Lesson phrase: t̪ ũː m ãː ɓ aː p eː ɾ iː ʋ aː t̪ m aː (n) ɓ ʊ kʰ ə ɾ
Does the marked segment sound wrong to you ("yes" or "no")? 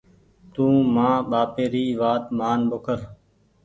no